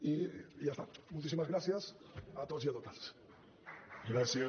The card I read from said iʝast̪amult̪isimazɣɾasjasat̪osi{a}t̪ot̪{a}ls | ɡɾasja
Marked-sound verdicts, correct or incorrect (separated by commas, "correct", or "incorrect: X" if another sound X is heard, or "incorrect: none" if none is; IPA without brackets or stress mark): correct, correct